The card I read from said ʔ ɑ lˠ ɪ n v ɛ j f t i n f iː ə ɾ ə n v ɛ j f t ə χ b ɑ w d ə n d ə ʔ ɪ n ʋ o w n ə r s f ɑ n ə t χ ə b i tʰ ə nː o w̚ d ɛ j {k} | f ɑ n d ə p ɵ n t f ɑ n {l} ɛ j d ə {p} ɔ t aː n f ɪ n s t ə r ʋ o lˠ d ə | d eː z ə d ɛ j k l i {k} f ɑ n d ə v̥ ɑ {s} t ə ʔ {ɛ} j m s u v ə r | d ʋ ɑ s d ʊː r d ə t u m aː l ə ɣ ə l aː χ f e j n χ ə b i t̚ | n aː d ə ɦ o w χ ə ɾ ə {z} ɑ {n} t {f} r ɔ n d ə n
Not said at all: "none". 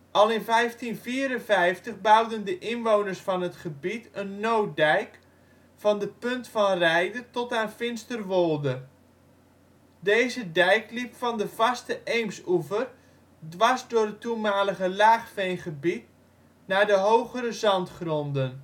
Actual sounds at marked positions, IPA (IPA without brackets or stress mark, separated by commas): k, r, t, p, s, e, z, n, χ